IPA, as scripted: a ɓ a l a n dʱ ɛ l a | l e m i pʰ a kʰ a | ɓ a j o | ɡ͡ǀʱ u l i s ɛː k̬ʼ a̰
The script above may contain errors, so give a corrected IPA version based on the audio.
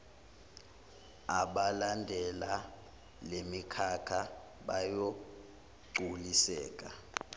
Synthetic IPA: a ɓ a l a n dʱ ɛ l a | l e m i kʰ a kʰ a | ɓ a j o | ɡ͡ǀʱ u l i s ɛː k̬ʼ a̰